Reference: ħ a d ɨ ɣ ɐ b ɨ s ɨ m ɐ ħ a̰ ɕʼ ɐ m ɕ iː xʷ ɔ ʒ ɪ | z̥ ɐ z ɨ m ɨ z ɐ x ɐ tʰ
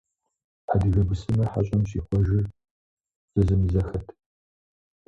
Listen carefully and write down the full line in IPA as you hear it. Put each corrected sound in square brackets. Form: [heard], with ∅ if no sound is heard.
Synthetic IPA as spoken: ħ a d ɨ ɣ ɐ b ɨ s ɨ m ɐ ħ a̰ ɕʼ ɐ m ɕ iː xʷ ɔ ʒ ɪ | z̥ ɐ z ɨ m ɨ z ɐ x ɐ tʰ